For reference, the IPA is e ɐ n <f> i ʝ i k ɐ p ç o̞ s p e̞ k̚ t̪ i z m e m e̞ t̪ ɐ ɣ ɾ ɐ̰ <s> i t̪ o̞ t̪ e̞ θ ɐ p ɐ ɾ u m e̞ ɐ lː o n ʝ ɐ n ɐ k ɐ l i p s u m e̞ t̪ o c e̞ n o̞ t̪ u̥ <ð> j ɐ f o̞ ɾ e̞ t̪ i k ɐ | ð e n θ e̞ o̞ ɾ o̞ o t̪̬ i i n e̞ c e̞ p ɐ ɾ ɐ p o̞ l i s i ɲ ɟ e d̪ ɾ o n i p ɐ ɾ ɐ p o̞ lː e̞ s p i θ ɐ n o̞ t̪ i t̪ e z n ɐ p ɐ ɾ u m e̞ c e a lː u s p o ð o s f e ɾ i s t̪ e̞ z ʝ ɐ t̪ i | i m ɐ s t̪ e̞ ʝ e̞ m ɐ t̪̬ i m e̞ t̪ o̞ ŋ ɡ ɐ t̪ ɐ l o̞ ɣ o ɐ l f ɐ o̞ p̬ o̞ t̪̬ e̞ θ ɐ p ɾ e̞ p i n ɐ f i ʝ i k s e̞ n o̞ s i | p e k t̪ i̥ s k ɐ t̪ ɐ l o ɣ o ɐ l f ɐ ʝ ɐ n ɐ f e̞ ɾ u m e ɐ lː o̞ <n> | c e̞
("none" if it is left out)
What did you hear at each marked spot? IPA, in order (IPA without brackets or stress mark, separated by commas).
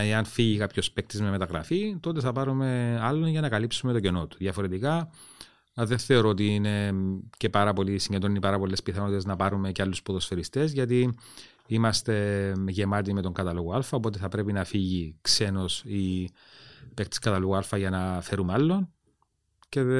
f, f, ð, n